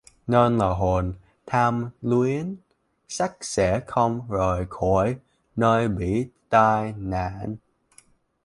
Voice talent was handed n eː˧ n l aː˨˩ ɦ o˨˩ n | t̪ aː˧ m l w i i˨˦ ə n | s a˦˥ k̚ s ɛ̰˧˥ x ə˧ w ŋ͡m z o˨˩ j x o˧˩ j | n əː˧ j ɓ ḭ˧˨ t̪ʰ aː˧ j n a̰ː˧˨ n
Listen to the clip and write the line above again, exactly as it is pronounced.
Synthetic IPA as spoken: n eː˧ n l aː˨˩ ɦ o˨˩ n | t̪ʰ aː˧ m l w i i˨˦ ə n | s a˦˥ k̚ s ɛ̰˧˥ x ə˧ w ŋ͡m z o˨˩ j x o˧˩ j | n əː˧ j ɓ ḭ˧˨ t̪ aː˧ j n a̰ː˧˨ n